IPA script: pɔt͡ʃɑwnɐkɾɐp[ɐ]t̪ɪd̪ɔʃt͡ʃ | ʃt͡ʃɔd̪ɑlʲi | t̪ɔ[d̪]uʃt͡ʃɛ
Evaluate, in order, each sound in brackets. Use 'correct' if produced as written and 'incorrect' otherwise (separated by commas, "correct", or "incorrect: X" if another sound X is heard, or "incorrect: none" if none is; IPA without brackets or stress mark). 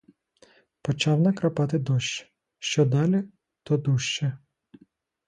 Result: incorrect: ɑ, correct